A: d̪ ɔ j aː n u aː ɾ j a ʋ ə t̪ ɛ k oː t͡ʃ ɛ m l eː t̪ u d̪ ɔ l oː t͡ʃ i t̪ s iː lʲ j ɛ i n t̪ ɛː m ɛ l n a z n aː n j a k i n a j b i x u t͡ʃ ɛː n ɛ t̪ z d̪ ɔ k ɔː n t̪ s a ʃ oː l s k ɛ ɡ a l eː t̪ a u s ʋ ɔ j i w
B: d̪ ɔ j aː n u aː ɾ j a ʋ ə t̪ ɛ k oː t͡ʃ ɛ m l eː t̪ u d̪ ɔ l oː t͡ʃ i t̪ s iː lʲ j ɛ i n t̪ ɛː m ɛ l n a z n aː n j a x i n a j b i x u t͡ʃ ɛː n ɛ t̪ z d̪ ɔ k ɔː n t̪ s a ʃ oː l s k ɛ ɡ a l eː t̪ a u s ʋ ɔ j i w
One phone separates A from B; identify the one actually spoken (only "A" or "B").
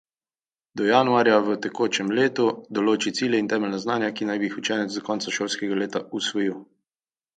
A